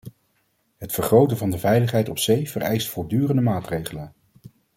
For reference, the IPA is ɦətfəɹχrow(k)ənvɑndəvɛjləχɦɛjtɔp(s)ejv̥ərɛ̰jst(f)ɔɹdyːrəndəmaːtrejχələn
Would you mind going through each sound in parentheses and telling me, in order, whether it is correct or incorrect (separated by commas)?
incorrect, correct, correct